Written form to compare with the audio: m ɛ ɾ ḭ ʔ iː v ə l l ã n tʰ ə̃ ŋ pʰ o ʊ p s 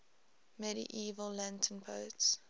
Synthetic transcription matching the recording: m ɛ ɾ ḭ ʔ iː v ə l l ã n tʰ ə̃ n pʰ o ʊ t s